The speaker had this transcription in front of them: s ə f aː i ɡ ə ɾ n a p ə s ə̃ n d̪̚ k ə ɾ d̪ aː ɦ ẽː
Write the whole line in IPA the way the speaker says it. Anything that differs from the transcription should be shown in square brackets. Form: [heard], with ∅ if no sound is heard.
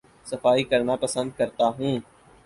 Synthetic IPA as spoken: s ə f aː i [k] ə ɾ n a p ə s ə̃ n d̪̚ k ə ɾ [t̪] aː ɦ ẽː